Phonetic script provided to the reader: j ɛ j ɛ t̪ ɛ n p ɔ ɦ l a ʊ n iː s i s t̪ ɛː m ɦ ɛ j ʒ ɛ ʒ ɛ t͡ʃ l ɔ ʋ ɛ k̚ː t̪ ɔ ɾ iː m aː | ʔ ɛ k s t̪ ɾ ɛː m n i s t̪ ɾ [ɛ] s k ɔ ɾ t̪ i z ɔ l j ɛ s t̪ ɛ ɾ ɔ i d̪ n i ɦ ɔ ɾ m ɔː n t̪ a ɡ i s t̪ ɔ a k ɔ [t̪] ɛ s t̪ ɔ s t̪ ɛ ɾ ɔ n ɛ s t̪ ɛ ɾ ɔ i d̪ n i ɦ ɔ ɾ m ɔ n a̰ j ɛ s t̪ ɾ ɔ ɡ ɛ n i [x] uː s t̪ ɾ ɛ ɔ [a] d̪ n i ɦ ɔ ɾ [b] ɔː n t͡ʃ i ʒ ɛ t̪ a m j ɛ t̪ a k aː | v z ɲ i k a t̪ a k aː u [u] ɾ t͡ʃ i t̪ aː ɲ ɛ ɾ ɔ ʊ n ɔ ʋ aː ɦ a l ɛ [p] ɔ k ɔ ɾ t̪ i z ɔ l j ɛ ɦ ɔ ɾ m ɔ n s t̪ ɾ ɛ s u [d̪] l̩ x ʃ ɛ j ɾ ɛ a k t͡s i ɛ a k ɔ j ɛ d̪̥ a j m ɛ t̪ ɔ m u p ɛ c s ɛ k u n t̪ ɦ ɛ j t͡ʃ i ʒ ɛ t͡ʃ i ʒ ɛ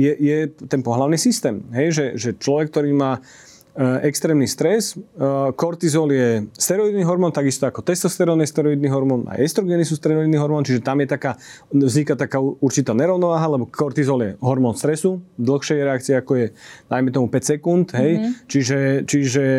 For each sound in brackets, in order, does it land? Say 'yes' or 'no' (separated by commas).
yes, yes, no, no, no, yes, no, yes